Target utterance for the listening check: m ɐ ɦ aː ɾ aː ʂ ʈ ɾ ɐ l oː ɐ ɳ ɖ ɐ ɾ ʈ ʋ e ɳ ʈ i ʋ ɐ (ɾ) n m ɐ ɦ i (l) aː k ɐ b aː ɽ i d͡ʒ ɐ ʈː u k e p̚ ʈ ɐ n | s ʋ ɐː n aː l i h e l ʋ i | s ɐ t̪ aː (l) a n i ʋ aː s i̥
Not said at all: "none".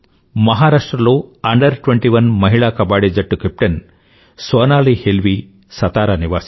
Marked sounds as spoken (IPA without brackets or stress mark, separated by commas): none, ɭ, ɾ